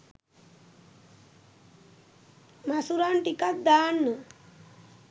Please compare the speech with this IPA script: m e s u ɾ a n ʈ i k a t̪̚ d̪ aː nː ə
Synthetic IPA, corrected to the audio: m a s u ɾ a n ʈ i k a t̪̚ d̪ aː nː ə